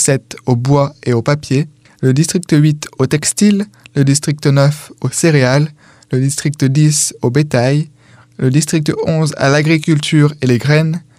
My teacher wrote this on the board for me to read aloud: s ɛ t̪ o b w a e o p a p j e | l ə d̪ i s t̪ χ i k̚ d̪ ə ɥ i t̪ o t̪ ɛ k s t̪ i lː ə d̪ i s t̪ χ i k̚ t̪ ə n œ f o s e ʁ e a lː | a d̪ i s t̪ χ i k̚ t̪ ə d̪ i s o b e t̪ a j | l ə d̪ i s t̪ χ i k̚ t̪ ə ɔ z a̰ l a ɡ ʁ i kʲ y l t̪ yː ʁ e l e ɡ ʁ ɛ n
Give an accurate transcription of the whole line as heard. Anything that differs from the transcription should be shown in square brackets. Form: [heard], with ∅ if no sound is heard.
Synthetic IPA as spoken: s ɛ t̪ o b w a e o p a p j e | l ə d̪ i s t̪ χ i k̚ [t̪] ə ɥ i t̪ o t̪ ɛ k s t̪ i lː ə d̪ i s t̪ χ i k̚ t̪ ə n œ f o s e ʁ e a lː | [ə] d̪ i s t̪ χ i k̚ t̪ ə d̪ i s o b e t̪ a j | l ə d̪ i s t̪ χ i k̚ t̪ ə [ɔ̃] z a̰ l a ɡ ʁ i kʲ y l t̪ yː ʁ e l e ɡ ʁ ɛ n